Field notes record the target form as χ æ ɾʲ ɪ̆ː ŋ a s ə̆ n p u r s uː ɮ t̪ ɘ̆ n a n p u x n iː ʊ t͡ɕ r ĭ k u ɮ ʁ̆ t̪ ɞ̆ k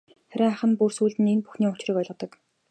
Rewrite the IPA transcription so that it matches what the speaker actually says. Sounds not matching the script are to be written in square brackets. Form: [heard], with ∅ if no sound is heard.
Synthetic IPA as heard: χ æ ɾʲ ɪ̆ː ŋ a [χ] ə̆ n p u r s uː ɮ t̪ ɘ̆ n [e] n p u x n iː ʊ t͡ɕ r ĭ k [ɔ] ɮ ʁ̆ t̪ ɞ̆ k